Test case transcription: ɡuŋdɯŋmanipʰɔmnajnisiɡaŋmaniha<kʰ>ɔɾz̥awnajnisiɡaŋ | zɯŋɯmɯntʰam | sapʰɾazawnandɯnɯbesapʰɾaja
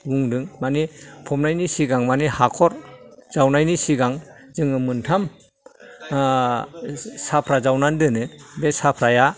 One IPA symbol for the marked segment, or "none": kʰ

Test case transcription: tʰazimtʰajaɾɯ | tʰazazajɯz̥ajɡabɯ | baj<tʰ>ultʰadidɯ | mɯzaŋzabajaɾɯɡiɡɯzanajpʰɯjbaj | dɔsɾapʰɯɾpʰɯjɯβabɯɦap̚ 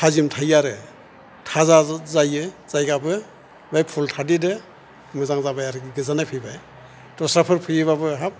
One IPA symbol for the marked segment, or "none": pʰ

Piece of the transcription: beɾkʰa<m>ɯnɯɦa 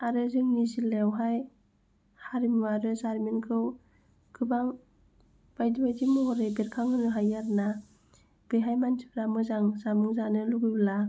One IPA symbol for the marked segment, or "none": ŋ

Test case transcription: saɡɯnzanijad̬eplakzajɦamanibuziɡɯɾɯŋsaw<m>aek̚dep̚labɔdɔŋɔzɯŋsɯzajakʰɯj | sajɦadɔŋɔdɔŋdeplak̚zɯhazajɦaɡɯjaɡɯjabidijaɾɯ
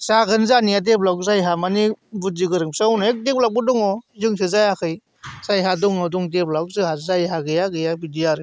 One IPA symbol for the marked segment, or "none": n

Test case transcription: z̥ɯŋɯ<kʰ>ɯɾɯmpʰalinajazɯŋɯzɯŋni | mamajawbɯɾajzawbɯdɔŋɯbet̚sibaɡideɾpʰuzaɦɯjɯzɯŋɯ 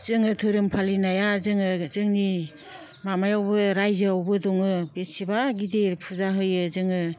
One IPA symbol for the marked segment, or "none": tʰ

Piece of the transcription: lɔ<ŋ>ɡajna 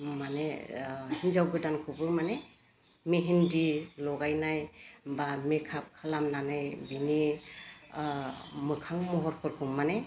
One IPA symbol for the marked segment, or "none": none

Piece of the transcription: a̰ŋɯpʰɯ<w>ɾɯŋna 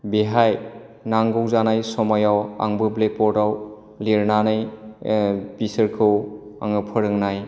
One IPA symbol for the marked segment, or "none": none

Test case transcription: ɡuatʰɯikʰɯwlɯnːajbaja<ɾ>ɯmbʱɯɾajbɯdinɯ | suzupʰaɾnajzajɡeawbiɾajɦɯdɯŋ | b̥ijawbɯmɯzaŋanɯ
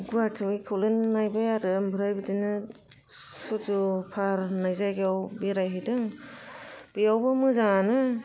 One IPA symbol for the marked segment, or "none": ɾ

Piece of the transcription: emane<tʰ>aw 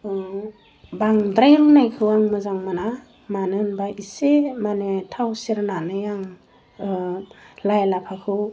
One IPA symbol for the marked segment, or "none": tʰ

